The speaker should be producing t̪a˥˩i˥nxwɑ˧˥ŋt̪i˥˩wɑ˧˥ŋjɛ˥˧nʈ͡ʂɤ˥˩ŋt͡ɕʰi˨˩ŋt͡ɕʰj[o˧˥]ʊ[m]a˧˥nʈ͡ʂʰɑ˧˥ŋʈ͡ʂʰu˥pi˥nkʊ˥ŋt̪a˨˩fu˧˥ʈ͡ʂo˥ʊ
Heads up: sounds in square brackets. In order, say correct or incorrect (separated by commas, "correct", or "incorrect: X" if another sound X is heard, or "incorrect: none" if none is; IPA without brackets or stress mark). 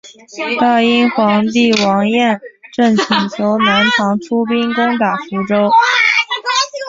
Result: correct, incorrect: n